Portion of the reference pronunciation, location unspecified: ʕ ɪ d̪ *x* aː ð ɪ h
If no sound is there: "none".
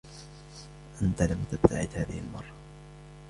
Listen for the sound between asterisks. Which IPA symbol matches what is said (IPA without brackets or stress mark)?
h